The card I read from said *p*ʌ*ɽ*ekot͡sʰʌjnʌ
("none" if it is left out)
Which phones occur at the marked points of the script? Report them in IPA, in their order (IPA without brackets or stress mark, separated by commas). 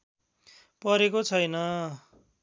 p, ɾ